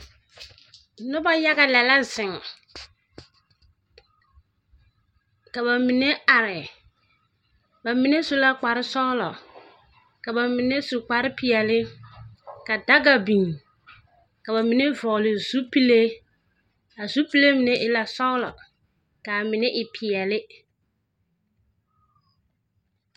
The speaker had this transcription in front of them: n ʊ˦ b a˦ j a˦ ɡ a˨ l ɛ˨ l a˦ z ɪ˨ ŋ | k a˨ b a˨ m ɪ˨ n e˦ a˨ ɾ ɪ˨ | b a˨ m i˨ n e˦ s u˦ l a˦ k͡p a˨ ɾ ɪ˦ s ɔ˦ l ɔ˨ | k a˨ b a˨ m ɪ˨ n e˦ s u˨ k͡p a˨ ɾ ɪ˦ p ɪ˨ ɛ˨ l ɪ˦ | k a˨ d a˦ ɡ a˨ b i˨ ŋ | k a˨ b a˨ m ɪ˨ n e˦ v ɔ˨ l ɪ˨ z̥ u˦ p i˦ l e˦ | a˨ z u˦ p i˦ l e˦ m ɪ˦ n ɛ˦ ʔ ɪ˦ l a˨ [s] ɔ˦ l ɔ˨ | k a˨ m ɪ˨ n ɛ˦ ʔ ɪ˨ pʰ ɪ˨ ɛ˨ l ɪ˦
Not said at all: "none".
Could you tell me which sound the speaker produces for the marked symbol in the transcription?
s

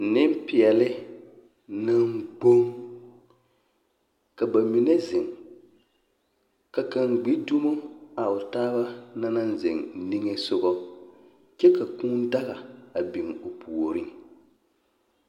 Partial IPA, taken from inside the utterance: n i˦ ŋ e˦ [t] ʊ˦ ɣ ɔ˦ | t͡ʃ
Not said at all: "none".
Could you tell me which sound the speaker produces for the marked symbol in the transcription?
s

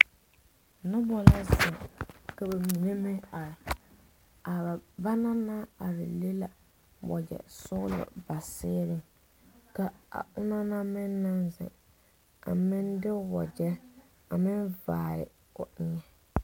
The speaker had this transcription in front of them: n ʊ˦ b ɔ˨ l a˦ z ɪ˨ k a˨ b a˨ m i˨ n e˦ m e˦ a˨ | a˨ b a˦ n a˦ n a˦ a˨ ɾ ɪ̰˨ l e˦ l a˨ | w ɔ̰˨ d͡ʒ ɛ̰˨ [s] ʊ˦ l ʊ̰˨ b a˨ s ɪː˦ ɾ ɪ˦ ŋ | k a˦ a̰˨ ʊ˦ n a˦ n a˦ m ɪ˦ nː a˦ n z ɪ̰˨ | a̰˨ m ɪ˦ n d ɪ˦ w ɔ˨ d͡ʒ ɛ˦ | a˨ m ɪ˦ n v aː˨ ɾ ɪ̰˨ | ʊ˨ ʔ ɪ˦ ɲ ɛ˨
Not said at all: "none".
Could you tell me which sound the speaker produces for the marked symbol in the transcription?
s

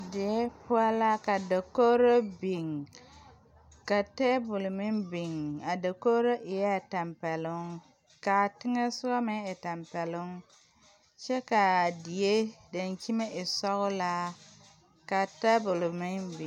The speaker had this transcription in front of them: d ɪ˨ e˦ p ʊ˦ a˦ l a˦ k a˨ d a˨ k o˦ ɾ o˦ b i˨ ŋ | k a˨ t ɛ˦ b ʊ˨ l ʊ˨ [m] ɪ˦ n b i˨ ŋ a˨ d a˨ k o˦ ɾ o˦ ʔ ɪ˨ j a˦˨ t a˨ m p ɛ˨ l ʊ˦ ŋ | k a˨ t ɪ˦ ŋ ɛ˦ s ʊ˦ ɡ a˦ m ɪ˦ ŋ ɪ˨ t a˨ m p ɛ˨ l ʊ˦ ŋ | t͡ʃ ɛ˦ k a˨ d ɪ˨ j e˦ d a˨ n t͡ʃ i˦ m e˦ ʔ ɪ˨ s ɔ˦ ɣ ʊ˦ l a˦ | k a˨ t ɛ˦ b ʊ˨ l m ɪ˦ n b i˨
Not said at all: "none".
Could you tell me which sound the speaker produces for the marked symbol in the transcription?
m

